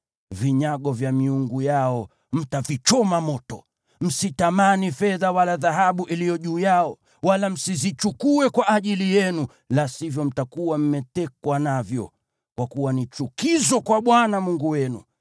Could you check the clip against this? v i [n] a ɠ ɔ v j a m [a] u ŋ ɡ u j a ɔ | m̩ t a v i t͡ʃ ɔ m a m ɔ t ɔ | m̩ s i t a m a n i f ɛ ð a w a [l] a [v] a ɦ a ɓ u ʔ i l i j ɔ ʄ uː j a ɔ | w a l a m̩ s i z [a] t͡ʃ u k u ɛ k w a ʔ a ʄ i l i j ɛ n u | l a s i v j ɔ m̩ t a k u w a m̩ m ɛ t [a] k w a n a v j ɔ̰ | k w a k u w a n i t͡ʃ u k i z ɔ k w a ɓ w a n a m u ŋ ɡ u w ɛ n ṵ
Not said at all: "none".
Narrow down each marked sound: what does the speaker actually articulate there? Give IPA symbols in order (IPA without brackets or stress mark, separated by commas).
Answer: ɲ, i, l, ð, i, ɛ